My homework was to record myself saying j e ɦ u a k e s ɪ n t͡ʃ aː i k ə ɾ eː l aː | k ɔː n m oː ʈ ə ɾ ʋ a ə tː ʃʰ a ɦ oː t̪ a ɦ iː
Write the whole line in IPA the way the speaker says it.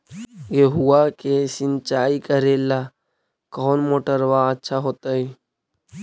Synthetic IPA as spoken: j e ɦ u a k e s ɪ n t͡ʃ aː i k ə ɾ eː l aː | k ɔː n m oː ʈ ə ɾ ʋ a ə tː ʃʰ a ɦ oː t̪ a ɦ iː